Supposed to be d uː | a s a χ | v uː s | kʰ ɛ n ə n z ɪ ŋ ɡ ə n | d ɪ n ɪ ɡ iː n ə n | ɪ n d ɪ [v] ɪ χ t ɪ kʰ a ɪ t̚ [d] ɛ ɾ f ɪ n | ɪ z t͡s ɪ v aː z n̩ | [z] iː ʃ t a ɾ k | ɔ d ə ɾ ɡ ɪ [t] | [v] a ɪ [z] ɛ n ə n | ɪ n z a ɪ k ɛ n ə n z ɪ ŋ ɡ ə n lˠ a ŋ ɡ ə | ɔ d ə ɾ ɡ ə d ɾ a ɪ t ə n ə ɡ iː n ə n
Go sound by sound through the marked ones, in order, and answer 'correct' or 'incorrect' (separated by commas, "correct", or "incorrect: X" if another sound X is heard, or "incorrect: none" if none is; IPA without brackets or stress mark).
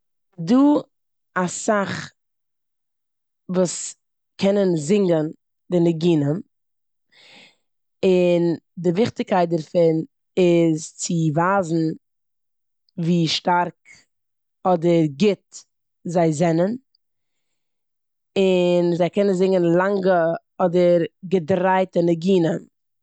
correct, correct, incorrect: v, correct, incorrect: z, correct